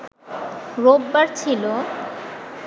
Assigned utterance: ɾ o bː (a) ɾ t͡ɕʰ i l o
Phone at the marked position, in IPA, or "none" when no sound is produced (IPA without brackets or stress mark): a